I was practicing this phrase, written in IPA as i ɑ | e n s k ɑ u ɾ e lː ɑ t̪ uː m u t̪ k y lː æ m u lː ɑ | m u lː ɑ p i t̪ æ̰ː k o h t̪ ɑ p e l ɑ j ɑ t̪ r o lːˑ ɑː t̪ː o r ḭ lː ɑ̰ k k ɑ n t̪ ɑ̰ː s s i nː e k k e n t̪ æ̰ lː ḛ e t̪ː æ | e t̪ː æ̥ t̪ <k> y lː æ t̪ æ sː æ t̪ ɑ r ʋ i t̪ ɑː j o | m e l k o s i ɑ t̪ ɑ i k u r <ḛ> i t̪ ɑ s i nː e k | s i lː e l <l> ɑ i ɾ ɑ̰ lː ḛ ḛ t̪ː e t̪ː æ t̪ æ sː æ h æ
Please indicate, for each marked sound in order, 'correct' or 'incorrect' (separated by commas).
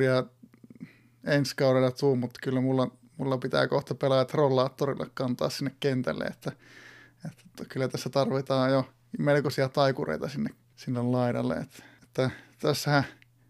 correct, correct, correct